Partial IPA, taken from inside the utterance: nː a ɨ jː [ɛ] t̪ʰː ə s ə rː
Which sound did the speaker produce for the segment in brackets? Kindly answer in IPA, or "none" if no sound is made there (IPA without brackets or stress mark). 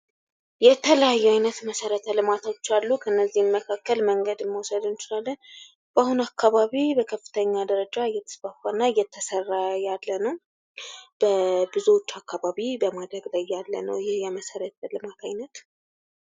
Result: ɛ